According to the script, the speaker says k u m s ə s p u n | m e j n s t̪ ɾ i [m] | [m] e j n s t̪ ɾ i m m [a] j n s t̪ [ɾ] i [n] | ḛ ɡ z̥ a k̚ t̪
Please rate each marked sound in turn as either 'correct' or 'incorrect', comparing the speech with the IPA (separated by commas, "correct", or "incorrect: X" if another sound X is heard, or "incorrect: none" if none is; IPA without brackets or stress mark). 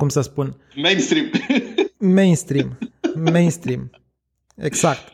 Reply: correct, correct, incorrect: e, correct, incorrect: m